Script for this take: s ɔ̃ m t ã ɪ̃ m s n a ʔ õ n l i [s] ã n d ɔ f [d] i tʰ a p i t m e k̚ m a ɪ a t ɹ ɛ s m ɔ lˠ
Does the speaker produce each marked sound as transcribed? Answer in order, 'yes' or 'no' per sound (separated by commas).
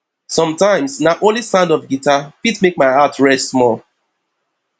yes, no